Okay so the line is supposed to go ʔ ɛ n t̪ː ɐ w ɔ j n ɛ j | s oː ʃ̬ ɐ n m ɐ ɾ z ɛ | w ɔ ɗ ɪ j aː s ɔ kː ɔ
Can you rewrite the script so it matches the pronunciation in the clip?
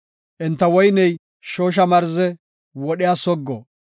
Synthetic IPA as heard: ʔ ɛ n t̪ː ɐ w ɔ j n ɛ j | ʃ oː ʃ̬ ɐ m ɐ ɾ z ɛ | w ɔ ɗ ɪ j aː s ɔ ɡː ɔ